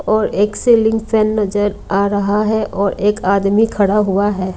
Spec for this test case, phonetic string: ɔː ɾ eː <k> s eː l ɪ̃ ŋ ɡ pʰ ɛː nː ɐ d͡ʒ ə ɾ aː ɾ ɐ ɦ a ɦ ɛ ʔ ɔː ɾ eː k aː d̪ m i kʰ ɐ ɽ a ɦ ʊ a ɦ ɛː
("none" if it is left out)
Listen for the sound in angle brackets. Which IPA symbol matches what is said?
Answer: k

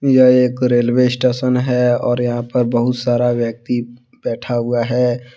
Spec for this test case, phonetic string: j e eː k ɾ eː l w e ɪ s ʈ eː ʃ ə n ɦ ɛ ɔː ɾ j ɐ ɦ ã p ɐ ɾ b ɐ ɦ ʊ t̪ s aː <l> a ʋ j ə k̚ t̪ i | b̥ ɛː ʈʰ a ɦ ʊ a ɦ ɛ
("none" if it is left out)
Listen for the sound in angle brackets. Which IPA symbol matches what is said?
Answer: ɾ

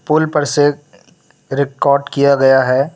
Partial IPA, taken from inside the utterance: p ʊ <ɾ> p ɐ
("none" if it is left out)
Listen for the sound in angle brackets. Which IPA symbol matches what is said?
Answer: l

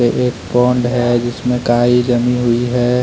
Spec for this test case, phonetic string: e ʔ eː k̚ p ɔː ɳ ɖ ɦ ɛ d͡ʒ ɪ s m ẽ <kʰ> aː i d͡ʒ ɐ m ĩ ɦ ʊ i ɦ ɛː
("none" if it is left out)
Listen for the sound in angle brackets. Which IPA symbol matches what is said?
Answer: k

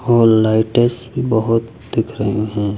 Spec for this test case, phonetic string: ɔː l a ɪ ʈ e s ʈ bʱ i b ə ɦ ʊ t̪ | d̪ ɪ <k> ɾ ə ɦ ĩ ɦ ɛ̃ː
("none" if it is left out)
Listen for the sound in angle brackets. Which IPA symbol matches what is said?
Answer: kʰ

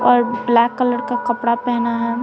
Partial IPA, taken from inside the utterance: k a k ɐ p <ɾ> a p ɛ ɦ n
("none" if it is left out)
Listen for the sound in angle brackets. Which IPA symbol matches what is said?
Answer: ɽ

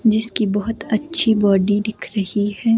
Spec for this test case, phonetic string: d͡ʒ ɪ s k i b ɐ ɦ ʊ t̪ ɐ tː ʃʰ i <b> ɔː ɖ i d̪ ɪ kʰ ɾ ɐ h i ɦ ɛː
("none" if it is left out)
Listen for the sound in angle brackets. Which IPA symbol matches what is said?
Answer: b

